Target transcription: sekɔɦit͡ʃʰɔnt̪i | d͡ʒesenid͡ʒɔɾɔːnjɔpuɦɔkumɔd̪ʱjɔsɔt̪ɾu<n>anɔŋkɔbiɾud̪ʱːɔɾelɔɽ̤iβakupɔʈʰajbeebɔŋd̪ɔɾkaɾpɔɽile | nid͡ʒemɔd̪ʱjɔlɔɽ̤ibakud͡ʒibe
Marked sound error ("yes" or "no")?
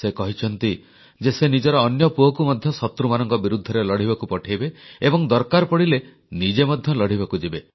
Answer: yes